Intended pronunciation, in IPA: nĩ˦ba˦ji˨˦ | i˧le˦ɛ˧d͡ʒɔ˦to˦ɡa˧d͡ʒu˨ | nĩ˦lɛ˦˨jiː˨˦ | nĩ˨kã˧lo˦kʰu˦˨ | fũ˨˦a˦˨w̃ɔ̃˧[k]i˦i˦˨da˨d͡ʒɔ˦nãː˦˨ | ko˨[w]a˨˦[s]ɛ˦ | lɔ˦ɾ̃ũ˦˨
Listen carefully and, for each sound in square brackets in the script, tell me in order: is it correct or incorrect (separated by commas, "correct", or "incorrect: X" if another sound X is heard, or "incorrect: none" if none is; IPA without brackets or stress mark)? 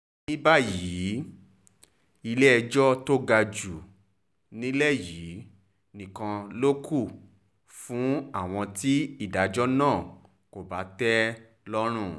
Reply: incorrect: t, incorrect: b, incorrect: t